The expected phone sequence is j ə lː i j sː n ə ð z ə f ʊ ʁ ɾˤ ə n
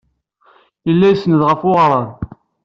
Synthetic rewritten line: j ə lː æ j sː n ə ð ʁ ə f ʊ ʁ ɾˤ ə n

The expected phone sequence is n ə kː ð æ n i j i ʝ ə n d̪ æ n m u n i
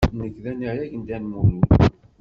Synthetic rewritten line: n ə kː ð æ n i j æ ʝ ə n d̪ æ n m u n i

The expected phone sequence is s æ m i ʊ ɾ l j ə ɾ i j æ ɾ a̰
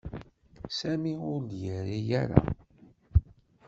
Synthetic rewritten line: s æ m i ʊ ɾ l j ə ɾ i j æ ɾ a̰

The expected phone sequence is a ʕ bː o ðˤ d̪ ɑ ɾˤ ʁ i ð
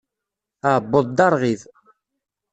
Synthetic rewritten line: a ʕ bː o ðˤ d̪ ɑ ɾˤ ʁ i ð

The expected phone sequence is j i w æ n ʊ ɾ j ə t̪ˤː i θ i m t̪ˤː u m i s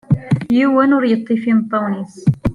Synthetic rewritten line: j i w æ n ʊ ɾ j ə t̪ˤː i f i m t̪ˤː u n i s

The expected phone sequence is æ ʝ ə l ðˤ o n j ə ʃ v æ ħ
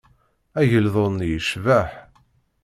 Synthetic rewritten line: æ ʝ ə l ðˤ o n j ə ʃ v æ ħ

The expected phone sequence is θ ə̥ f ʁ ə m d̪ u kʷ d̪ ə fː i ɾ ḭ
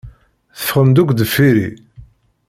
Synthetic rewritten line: θ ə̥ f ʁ ə m d̪ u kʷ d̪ ə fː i ɾ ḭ

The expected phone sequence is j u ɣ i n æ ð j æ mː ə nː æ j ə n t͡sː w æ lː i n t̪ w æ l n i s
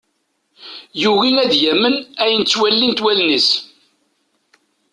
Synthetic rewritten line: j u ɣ i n æ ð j æ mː ə n æ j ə n t͡sː w æ lː i n t̪ w æ l n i s

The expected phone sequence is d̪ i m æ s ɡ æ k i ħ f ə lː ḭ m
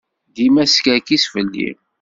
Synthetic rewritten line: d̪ i m æ s k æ k i s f ə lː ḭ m

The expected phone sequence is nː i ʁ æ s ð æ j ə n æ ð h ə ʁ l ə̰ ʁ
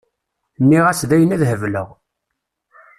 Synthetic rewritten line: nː i ʁ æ s ð æ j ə n æ ð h ə v l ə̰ ʁ

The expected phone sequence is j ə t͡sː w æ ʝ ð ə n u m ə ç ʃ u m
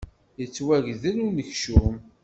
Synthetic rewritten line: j ə t͡sː w æ ʝ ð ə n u n ə ç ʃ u m

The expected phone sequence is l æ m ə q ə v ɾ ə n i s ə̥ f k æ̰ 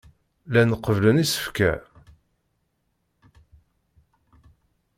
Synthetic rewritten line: l æ n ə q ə v l ə n i s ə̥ f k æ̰

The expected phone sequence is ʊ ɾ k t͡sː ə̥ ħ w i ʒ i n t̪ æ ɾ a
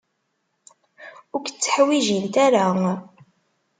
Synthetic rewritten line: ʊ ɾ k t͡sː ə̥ ħ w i ʒ i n t̪ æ ɾ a

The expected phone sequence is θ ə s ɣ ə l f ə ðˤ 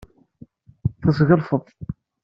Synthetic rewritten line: θ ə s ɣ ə l f ə ðˤ

